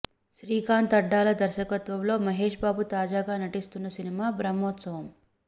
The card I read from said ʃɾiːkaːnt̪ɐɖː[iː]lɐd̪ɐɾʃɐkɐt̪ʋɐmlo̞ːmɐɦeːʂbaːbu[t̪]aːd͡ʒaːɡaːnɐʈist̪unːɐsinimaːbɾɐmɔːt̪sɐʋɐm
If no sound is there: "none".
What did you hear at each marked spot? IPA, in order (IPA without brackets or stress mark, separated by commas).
aː, t̪